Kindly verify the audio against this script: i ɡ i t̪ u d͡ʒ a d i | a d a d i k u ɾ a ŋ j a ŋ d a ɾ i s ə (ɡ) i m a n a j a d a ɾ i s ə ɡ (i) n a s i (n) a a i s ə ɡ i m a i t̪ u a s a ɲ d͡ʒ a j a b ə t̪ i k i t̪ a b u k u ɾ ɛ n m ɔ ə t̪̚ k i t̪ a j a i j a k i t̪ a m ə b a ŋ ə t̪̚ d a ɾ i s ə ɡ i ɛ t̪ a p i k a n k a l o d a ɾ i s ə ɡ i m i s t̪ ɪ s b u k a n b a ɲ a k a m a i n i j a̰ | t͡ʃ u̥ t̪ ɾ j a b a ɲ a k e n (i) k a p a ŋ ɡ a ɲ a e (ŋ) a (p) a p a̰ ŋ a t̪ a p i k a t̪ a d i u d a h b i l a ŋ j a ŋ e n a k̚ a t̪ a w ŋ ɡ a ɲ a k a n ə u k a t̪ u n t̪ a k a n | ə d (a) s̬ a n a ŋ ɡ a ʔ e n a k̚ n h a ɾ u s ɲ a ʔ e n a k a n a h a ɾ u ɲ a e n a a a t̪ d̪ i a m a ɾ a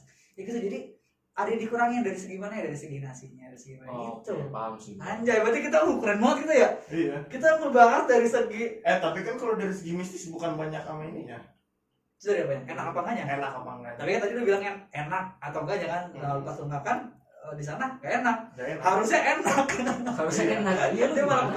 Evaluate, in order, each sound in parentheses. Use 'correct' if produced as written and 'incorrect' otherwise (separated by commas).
correct, correct, incorrect, incorrect, incorrect, incorrect, incorrect